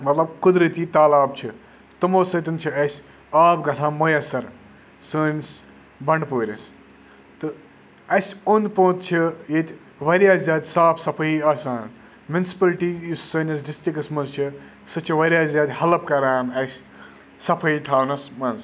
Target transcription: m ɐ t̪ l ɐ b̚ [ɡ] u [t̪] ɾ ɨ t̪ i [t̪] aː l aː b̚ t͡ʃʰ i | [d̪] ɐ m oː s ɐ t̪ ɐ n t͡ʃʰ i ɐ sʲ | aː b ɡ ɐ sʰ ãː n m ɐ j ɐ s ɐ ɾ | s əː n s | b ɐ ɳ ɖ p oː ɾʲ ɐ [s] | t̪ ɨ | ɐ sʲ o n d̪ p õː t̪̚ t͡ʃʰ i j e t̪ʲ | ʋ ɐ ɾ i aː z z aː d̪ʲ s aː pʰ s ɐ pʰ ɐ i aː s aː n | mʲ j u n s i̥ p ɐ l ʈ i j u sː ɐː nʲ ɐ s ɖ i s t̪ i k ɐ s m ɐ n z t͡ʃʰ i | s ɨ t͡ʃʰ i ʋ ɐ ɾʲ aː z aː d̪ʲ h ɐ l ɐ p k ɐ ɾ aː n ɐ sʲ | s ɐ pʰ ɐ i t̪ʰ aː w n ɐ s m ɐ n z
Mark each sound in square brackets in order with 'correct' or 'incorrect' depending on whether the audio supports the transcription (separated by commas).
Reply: incorrect, incorrect, correct, incorrect, correct